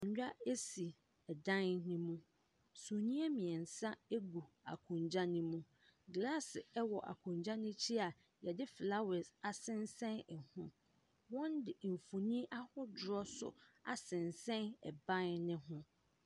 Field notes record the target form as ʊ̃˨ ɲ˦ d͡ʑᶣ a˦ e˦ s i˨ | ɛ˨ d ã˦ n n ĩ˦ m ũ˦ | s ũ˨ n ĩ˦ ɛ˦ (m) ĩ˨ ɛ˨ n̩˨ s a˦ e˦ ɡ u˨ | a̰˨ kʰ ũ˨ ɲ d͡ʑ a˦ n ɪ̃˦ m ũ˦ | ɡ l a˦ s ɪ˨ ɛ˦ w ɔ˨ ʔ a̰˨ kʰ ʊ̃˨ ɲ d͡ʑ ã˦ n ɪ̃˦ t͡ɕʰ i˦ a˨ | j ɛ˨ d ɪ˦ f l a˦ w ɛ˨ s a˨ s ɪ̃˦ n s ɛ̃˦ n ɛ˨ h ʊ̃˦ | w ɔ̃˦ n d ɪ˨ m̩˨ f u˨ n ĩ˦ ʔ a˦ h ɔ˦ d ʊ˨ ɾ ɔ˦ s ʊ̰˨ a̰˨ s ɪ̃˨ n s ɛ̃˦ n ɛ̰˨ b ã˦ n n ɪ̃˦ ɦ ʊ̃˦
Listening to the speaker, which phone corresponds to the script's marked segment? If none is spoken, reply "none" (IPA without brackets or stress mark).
m